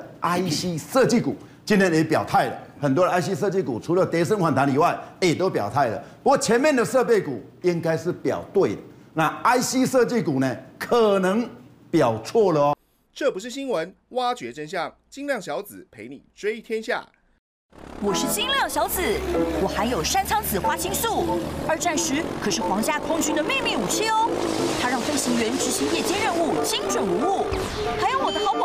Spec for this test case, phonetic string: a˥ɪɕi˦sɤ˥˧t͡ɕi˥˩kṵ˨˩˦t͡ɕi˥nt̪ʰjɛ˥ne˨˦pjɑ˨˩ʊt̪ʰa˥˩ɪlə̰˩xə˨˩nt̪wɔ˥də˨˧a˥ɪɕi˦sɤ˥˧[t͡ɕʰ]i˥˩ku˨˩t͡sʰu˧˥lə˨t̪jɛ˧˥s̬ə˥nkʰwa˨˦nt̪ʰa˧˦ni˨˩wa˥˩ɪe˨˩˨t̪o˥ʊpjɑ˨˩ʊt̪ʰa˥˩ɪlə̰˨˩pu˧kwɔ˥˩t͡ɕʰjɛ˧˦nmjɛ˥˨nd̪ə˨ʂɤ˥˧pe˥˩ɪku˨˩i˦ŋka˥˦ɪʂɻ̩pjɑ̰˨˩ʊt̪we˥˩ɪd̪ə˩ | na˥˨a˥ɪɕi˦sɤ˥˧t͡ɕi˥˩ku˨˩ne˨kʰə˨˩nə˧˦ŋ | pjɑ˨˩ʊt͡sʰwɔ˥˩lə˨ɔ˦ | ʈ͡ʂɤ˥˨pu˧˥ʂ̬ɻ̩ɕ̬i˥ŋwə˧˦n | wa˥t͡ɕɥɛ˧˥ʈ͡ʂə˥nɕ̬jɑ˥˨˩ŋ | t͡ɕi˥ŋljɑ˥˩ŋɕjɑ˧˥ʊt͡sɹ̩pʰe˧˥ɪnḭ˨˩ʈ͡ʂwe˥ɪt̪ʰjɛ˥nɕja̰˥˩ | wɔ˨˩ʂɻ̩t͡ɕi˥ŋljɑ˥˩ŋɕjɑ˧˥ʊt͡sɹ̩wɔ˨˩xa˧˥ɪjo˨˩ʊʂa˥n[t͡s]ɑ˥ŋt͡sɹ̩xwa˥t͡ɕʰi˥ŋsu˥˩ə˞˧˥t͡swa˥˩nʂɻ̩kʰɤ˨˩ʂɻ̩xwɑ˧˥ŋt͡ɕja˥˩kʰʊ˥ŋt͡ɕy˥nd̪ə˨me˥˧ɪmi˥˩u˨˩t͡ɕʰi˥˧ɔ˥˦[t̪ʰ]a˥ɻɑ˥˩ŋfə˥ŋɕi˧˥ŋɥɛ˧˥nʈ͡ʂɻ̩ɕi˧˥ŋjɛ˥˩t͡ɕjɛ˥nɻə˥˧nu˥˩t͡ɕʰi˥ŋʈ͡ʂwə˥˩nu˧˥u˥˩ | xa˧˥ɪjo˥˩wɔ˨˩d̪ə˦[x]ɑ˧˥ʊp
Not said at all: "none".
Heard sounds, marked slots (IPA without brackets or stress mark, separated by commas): t͡ɕ, t͡sʰ, t̪ʰ, x